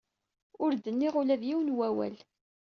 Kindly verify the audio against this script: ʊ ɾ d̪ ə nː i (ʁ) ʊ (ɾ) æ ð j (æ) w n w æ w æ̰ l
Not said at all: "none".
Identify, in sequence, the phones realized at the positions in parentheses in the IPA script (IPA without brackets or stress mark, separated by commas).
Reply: ʁ, l, i